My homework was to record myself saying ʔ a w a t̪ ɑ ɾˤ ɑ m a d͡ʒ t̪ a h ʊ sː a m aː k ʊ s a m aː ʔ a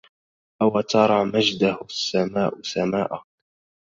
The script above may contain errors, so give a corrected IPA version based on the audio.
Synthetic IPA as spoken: ʔ a w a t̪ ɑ ɾˤ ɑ m a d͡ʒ d̪ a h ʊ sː a m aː ʔ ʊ s a m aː ʔ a